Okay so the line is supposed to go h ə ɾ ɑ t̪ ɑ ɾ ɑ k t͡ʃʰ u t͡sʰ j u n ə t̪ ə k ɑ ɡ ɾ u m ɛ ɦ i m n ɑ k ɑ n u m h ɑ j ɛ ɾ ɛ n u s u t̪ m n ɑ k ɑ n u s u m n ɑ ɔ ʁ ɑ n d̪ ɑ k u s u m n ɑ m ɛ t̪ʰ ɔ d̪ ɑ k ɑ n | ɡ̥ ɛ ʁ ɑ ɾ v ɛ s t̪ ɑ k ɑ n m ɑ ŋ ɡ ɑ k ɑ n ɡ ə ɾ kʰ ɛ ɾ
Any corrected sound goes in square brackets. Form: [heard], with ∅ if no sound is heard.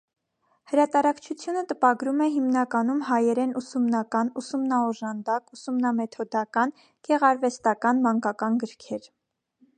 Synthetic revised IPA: h ə ɾ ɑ t̪ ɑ ɾ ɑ k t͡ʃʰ u t͡sʰ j u n ə t̪ ə [p] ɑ ɡ ɾ u m ɛ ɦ i m n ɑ k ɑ n u m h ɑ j ɛ ɾ ɛ n u s u [∅] m n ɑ k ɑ n u s u m n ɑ ɔ [ʒ] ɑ n d̪ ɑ k u s u m n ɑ m ɛ t̪ʰ ɔ d̪ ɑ k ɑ n | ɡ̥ ɛ ʁ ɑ ɾ v ɛ s t̪ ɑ k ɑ n m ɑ ŋ [k] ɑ k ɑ n ɡ ə ɾ kʰ ɛ ɾ

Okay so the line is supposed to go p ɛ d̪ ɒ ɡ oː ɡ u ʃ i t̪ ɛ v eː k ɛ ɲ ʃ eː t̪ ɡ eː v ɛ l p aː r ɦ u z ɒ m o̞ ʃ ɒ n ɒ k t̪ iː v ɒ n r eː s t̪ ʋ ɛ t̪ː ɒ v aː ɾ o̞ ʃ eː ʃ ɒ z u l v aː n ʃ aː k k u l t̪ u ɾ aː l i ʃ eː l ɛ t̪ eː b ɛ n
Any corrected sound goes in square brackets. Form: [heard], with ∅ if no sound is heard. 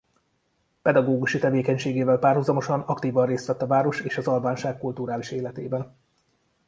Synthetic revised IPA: p ɛ d̪ ɒ ɡ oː ɡ u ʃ i t̪ ɛ v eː k ɛ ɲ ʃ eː [∅] ɡ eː v ɛ l p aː r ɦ u z ɒ m o̞ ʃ ɒ n ɒ k t̪ iː v ɒ n r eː s t̪ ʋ ɛ t̪ː ɒ v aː ɾ o̞ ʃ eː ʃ ɒ z [ɒ] l v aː n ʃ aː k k u l t̪ u ɾ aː l i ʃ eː l ɛ t̪ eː b ɛ n

